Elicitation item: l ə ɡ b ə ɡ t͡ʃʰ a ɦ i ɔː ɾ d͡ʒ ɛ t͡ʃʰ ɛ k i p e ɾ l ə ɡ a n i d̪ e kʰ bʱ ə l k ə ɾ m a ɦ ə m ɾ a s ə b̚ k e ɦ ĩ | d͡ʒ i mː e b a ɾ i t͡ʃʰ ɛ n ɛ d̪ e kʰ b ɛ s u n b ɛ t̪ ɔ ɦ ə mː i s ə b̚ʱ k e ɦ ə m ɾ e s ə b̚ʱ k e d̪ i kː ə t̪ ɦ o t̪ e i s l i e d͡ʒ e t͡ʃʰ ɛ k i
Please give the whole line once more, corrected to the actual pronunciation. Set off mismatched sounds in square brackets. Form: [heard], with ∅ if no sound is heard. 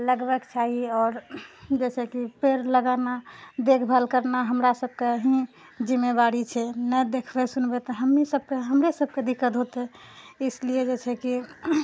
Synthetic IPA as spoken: l ə ɡ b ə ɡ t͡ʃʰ a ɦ i ɔː ɾ d͡ʒ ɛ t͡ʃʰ ɛ k i p e ɾ l ə ɡ a n [a] d̪ e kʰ bʱ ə l k ə ɾ [n] a ɦ ə m ɾ a s ə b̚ k e ɦ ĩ | d͡ʒ i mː e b a ɾ i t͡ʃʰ ɛ n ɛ d̪ e kʰ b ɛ s u n b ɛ t̪ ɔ ɦ ə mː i s ə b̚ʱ k e ɦ ə m ɾ e s ə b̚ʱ k e d̪ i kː ə t̪ ɦ o t̪ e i s l i e d͡ʒ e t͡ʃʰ ɛ k i

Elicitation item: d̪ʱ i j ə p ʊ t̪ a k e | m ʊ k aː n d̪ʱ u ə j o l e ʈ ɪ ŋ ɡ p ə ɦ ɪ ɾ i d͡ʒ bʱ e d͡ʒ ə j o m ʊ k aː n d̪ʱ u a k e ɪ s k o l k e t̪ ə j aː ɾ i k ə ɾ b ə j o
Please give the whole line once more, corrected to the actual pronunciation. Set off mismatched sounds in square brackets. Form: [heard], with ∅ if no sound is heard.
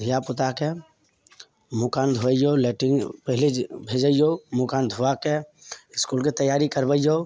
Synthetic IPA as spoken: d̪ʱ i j [a] p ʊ t̪ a k e | m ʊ k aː n d̪ʱ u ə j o l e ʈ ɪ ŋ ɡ p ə ɦ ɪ [l] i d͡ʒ bʱ e d͡ʒ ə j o m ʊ k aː n d̪ʱ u a k e ɪ s k [u] l k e t̪ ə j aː ɾ i k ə ɾ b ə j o

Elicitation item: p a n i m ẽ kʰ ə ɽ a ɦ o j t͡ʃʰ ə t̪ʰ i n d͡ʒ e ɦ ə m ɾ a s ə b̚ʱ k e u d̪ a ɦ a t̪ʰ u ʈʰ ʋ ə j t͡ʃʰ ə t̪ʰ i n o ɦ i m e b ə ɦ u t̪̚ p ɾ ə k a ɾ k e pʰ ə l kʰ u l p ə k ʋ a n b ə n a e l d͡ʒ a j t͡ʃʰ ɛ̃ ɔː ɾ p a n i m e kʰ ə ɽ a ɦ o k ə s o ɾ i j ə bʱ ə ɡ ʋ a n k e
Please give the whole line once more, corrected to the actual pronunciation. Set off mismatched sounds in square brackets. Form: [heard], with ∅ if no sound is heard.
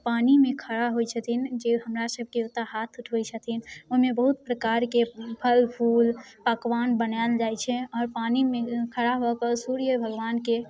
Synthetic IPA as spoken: p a n i m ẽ kʰ ə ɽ a ɦ o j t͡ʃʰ ə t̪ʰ i n d͡ʒ e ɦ ə m ɾ a s ə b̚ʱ k e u [t̪] a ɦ a t̪ʰ u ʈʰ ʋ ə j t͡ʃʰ ə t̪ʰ i n o ɦ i m e b ə ɦ u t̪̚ p ɾ ə k a ɾ k e pʰ ə l [pʰ] u l p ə k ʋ a n b ə n a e l d͡ʒ a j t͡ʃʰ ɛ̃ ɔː ɾ p a n i m e kʰ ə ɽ a ɦ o k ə s [u] ɾ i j ə bʱ ə ɡ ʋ a n k e

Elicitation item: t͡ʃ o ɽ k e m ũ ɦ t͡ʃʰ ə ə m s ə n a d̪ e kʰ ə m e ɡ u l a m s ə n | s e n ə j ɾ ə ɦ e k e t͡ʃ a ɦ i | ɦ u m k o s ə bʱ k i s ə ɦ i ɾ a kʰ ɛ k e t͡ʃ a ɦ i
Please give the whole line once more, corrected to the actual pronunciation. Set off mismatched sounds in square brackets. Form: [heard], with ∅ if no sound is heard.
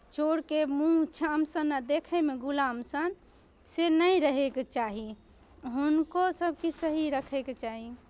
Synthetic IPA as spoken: t͡ʃ o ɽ k e m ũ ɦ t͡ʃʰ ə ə m s ə n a d̪ e kʰ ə m e ɡ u l a m s ə n | s e n ə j ɾ ə ɦ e k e t͡ʃ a ɦ i | ɦ u [n] k o s ə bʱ k i s ə ɦ i ɾ [ə] kʰ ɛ k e t͡ʃ a ɦ i

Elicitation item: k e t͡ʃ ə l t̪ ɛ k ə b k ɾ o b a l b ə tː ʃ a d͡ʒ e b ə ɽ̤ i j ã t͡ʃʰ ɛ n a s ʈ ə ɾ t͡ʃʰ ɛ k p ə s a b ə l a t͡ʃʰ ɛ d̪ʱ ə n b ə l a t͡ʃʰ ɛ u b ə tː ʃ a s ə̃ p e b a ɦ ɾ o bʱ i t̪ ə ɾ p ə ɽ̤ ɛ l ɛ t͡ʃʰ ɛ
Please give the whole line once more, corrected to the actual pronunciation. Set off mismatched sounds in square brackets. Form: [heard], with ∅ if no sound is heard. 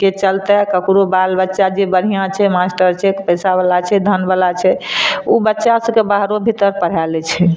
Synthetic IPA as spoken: k e t͡ʃ ə l t̪ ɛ k ə [∅] k ɾ o b a l b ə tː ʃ a d͡ʒ e b ə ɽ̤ i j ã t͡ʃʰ ɛ [m] a s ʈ ə ɾ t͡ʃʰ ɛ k p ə s a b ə l a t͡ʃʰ ɛ d̪ʱ ə n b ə l a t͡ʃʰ ɛ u b ə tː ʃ a s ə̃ [k] e b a ɦ ɾ o bʱ i t̪ ə ɾ p ə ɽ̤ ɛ l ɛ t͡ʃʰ ɛ

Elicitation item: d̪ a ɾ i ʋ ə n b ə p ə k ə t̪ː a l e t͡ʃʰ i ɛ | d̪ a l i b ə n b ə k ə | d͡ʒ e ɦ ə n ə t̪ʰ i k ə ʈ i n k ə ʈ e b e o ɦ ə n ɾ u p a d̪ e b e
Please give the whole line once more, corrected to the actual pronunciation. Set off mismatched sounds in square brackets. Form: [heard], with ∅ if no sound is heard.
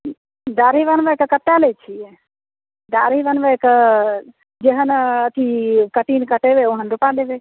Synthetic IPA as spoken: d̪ a ɾ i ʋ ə n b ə [k] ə k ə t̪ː a l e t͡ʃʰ i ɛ | d̪ a [ɾ] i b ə n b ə k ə | d͡ʒ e ɦ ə n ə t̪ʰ i k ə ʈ i n k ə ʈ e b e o ɦ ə n ɾ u p a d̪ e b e

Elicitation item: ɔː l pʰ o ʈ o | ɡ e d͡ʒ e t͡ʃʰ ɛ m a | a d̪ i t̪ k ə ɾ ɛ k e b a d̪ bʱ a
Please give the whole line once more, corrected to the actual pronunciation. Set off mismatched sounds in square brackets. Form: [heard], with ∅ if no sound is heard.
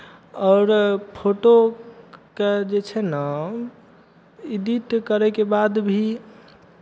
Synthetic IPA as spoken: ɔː [ɾ] pʰ o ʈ o | [k] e d͡ʒ e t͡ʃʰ ɛ [n] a | [i] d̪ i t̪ k ə ɾ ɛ k e b a d̪ bʱ [i]

